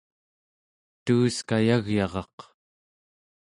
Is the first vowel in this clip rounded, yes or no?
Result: yes